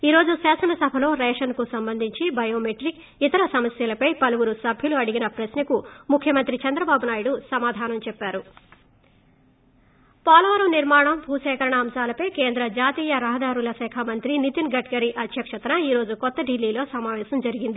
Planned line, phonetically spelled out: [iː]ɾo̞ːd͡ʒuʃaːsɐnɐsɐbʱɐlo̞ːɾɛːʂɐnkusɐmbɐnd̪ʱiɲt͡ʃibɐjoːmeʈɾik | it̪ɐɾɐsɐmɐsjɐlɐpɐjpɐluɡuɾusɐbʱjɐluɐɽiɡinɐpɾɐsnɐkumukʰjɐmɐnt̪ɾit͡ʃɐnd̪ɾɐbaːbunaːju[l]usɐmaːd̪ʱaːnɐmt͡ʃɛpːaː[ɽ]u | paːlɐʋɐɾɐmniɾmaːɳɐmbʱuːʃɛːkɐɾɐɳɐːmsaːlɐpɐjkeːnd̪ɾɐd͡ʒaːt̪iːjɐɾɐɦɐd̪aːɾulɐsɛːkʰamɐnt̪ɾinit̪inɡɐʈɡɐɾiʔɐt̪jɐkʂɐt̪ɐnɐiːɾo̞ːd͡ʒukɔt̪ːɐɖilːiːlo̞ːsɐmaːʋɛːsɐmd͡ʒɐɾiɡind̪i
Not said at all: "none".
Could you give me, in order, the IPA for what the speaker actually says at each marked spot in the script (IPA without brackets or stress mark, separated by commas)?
iː, ɽ, ɾ